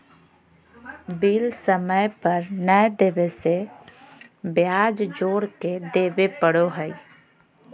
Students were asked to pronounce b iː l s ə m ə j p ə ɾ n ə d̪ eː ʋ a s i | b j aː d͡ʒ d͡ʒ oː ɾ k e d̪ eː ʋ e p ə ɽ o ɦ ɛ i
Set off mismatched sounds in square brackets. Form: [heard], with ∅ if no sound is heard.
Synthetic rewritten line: b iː l s ə m ə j p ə ɾ n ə d̪ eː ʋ [e] s [e] | b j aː d͡ʒ d͡ʒ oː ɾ k e d̪ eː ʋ e p ə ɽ o ɦ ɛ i